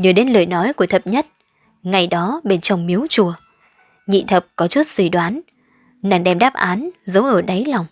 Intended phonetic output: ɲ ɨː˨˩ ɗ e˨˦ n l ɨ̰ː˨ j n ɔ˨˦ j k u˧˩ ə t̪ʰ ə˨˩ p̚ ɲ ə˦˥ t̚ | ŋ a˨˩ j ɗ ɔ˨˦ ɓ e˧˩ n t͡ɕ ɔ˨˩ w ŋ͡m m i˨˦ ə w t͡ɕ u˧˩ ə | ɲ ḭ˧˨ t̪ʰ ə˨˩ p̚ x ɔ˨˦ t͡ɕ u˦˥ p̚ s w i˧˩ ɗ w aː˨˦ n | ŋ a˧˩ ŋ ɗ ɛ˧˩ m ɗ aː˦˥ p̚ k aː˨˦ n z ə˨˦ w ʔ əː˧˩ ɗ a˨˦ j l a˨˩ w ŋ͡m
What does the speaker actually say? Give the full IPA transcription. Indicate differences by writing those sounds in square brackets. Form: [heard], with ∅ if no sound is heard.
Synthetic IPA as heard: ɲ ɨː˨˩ ɗ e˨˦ n l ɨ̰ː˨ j n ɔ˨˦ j k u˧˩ ə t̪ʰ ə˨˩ p̚ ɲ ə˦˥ t̚ | ŋ a˨˩ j ɗ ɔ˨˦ ɓ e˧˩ n t͡ɕ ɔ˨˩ w ŋ͡m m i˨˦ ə w t͡ɕ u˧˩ ə | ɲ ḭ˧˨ t̪ʰ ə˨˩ p̚ [k] ɔ˨˦ t͡ɕ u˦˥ [t̚] s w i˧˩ ɗ w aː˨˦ n | [n] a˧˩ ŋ ɗ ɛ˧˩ m ɗ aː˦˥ p̚ [ʔ] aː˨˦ n z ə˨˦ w ʔ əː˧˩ ɗ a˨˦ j l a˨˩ w ŋ͡m